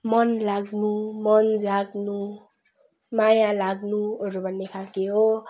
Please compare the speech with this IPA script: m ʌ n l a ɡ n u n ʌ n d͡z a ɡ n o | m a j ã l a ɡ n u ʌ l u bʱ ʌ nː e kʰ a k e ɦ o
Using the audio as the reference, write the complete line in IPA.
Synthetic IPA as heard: m ʌ n l a ɡ n u m ʌ n d͡z a ɡ n u | m a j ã l a ɡ n u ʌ ɾ u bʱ ʌ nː e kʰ a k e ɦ o